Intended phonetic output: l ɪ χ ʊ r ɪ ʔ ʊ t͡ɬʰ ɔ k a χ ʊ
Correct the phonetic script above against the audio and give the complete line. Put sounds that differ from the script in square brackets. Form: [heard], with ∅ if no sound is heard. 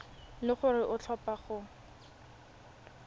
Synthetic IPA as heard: l ɪ χ ʊ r ɪ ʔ ʊ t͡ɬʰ ɔ [p] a χ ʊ